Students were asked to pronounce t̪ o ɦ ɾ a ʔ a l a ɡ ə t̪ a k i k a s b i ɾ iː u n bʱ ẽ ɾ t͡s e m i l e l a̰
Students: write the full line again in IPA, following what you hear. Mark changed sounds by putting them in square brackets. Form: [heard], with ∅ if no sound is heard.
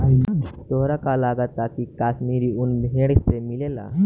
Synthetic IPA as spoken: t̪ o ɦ ɾ a [k] a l a ɡ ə t̪ a k i k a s [m] i ɾ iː u n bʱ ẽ [ɽ] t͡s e m i l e l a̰